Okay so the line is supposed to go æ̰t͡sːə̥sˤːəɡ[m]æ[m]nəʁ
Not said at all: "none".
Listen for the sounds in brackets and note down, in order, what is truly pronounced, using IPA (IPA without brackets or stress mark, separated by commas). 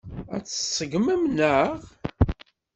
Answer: m, m